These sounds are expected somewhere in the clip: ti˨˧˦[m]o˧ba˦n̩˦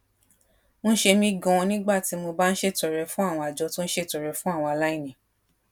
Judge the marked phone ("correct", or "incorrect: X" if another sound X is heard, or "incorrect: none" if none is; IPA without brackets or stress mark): correct